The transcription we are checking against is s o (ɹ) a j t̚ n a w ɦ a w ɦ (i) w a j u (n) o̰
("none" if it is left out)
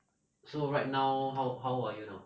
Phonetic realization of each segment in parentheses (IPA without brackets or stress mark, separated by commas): ɹ, a, n